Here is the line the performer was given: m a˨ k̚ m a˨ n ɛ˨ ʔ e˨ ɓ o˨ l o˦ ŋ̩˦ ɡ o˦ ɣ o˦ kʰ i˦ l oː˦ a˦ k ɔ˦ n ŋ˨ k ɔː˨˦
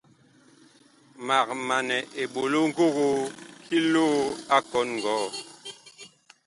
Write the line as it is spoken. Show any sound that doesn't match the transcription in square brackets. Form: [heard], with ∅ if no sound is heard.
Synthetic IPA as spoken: m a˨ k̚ m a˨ n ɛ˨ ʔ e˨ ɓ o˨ l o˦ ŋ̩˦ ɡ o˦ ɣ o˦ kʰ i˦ l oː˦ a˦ k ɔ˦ n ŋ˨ [ɡ] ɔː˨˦